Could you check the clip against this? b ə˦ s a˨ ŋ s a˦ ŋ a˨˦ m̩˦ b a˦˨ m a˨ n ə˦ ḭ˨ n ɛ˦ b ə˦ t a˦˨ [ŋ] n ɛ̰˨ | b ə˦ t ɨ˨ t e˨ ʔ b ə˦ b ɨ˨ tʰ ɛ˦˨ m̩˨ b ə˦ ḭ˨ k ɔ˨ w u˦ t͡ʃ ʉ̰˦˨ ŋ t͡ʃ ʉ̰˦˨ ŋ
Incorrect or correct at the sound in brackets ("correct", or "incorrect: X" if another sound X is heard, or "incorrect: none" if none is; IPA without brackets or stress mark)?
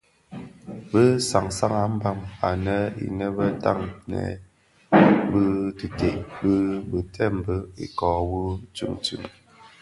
correct